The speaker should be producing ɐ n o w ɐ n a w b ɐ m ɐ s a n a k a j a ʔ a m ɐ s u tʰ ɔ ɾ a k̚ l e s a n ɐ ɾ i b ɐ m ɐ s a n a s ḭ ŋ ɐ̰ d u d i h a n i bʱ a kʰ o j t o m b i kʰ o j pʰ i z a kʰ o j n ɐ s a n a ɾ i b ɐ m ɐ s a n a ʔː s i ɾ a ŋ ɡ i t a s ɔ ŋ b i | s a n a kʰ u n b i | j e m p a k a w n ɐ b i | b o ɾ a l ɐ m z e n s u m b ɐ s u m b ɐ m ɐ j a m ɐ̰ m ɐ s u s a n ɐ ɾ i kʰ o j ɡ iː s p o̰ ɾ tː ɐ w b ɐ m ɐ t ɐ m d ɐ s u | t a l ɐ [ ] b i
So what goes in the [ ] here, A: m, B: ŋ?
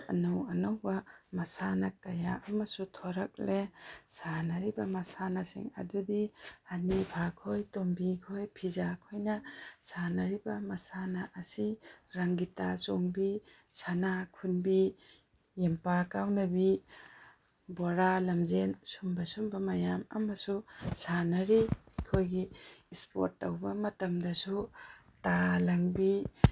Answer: B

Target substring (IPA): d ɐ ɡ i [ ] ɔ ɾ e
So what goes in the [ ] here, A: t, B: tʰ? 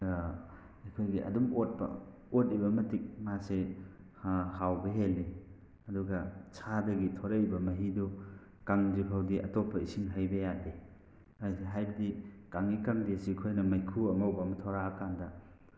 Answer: B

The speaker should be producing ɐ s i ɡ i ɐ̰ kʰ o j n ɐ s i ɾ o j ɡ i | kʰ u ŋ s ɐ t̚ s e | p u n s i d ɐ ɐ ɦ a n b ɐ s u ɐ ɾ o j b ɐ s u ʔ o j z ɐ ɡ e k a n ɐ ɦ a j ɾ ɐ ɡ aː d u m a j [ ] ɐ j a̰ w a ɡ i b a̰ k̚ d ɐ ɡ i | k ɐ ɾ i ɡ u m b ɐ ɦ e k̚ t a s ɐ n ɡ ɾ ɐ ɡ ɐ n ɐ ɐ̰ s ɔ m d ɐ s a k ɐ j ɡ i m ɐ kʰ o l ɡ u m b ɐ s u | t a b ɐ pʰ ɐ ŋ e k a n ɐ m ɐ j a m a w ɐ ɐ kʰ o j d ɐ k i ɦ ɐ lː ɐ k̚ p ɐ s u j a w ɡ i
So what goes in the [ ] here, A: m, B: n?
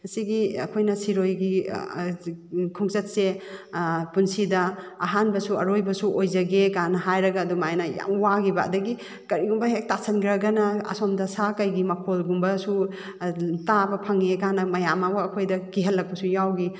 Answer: B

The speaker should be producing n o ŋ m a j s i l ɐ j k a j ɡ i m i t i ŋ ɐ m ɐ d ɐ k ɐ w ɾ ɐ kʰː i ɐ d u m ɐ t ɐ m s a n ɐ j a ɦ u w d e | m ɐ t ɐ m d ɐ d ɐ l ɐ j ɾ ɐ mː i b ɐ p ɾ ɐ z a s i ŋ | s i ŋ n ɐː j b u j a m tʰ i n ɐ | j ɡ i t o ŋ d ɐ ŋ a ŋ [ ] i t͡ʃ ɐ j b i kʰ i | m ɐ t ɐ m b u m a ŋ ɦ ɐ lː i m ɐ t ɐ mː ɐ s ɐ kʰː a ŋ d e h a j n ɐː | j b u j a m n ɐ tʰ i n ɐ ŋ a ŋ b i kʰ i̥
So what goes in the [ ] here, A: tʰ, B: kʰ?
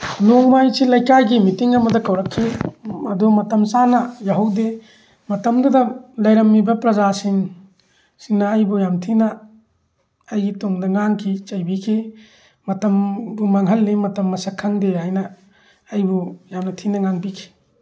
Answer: B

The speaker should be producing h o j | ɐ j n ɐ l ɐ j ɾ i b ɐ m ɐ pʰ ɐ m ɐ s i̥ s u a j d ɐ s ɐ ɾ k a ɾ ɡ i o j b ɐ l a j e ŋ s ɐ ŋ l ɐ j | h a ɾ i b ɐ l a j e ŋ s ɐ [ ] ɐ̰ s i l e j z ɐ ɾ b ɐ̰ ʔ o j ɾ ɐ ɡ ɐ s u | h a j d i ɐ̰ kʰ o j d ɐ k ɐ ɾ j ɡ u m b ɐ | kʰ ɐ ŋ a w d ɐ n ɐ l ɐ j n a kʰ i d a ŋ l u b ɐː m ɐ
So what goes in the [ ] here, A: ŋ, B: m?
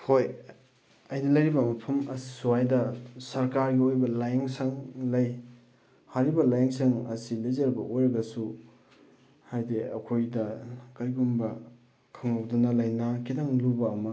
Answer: A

